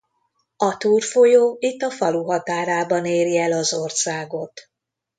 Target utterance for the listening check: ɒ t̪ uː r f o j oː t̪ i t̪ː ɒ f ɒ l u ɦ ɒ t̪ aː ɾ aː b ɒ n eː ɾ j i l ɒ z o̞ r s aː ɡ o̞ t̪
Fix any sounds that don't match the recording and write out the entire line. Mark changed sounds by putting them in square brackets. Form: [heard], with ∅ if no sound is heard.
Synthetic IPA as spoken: ɒ t̪ uː r f o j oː [∅] i t̪ː ɒ f ɒ l u ɦ ɒ t̪ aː ɾ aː b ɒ n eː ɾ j [ɛ] l ɒ z o̞ r s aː ɡ o̞ t̪